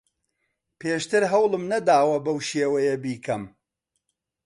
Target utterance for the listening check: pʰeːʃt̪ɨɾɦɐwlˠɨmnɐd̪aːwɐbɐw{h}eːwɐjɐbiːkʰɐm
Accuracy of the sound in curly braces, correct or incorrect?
incorrect: ʃ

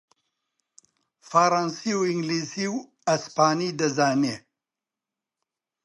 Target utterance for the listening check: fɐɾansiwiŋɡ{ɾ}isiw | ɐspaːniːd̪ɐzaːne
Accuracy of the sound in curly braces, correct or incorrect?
incorrect: l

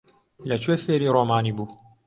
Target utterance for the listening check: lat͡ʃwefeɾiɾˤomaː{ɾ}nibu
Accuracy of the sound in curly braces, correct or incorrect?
incorrect: none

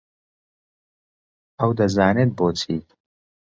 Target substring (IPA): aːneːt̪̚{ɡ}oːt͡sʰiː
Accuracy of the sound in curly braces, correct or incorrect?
incorrect: b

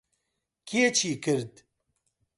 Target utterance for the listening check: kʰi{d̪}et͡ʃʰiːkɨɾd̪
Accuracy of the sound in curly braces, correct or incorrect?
incorrect: none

